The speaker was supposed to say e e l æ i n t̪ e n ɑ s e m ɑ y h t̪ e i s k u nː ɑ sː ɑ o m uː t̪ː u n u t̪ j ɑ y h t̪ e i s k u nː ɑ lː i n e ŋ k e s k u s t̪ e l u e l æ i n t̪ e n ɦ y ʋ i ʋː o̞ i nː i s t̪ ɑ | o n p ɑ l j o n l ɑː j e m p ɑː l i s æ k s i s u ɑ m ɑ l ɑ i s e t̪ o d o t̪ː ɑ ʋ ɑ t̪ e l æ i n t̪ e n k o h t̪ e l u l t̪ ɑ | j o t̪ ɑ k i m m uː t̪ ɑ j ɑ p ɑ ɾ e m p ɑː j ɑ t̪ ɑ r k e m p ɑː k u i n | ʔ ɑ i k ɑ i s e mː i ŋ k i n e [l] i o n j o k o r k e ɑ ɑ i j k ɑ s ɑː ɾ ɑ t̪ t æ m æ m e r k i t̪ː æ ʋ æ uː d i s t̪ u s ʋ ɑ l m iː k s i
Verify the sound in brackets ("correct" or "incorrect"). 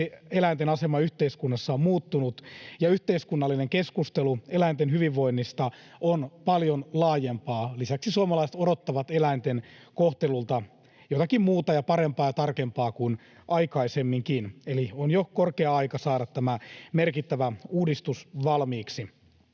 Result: correct